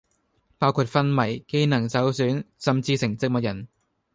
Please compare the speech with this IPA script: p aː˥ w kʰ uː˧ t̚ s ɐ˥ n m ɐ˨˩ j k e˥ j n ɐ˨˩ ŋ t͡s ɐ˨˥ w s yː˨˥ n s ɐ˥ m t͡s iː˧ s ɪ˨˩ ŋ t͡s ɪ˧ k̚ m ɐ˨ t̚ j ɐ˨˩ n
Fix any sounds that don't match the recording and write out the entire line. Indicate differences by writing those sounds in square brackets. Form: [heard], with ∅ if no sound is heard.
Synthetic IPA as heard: p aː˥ w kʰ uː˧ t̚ [f] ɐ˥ n m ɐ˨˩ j k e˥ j n ɐ˨˩ ŋ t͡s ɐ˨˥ w s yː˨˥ n s [ɐ˨] m t͡s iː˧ s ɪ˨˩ ŋ t͡s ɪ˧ k̚ m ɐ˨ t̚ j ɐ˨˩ n